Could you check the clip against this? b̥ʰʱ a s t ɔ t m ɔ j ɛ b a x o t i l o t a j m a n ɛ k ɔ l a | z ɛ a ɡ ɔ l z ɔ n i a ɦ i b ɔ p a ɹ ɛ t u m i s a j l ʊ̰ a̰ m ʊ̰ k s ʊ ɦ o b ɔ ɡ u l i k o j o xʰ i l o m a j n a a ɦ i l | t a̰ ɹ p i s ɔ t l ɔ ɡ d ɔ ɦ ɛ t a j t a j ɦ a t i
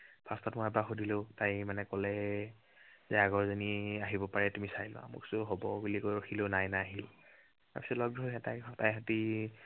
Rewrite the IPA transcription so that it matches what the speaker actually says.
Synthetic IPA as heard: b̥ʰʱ a s t ɔ t m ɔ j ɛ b a x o d i l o t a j m a n ɛ k ɔ l ɛ | z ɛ a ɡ ɔ ɹ z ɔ n i a ɦ i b ɔ p a ɹ ɛ t u m i s a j l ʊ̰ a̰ m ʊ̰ k s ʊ ɦ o b ɔ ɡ u l i k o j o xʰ i l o n a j n a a ɦ i l | t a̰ ɹ p i s ɔ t l ɔ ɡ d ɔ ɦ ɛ t a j t a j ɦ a t i